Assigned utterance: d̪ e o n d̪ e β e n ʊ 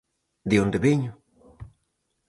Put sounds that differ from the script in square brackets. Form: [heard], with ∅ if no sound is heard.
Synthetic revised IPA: d̪ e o n d̪ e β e [ɲ] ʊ